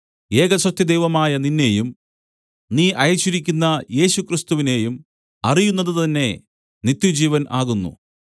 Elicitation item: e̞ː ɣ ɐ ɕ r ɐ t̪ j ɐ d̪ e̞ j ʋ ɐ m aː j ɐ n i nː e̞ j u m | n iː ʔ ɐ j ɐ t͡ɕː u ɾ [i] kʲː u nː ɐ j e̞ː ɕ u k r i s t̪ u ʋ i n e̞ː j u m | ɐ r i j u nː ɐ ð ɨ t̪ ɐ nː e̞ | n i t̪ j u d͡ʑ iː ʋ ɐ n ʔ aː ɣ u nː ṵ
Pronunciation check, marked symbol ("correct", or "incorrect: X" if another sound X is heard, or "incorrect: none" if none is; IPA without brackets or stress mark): correct